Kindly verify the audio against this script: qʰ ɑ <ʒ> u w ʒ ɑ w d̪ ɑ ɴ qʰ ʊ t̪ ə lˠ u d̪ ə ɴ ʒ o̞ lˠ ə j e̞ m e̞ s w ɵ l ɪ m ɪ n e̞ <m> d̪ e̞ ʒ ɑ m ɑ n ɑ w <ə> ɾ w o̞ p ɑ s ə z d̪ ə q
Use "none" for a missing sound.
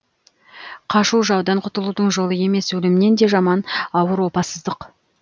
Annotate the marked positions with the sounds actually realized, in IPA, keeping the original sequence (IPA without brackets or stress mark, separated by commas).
ʃ, n, ə